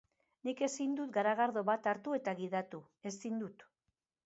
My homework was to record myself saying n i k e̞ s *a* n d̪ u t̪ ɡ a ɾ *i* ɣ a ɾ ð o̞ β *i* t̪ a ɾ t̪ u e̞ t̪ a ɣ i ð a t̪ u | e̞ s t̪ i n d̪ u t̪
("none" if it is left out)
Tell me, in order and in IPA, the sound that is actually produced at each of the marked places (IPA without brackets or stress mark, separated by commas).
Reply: i, a, a